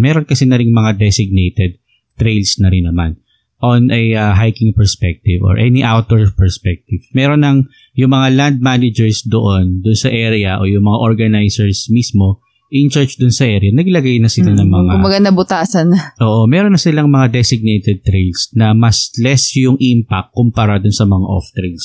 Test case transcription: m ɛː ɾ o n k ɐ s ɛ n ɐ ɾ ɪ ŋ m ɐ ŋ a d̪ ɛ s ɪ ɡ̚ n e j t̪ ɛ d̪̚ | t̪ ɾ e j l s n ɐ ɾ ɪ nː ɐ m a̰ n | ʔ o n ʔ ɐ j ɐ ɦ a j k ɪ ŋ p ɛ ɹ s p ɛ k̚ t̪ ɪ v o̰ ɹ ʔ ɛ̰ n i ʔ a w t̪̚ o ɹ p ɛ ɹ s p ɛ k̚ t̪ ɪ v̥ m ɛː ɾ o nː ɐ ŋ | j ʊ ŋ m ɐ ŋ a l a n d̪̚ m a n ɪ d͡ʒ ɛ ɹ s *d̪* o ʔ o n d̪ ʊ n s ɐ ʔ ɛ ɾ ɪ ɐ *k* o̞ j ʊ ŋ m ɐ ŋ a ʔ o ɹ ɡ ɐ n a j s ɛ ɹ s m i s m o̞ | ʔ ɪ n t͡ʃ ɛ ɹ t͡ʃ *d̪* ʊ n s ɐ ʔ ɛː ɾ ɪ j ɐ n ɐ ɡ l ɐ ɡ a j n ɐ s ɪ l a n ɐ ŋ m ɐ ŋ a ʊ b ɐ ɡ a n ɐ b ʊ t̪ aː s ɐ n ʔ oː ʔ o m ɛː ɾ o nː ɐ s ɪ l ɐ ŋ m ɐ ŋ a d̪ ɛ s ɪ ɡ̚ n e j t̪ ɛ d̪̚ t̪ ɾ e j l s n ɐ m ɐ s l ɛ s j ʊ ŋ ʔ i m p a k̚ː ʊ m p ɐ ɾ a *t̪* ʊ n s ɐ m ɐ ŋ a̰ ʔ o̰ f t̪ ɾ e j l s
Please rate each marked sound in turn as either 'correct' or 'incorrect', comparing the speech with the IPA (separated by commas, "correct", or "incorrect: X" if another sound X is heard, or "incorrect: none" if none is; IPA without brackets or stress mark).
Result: correct, incorrect: ʔ, correct, incorrect: d̪